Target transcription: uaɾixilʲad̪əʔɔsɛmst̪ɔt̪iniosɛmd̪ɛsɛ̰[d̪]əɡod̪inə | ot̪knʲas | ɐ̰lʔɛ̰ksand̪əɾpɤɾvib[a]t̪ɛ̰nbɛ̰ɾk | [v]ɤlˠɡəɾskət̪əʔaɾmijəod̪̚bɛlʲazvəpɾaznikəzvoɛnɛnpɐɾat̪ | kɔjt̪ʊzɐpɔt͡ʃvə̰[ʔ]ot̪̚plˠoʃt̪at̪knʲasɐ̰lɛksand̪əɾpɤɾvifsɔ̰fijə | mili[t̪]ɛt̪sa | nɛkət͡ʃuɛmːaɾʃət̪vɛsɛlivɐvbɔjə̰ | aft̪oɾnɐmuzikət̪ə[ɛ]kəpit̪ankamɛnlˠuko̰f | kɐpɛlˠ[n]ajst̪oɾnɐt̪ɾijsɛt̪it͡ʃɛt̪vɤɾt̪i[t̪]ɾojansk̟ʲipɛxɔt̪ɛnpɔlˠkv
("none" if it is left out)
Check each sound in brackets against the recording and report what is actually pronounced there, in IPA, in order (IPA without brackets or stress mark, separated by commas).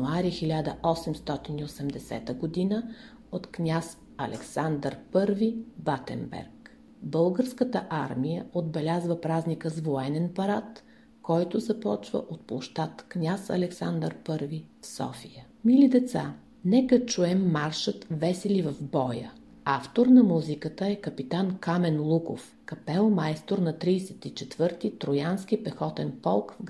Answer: t̪, a, b, ʔ, d̪, ɛ, m, t̪